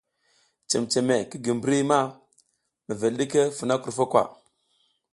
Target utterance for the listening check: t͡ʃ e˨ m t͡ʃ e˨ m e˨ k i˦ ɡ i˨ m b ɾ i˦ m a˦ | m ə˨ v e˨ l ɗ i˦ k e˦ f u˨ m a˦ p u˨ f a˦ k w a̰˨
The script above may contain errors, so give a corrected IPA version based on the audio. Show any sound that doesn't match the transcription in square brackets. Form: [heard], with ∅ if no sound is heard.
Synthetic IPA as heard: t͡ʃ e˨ m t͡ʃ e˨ m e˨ k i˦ ɡ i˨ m b ɾ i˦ m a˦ | m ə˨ v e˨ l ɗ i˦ k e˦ f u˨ [n] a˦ [k] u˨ f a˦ k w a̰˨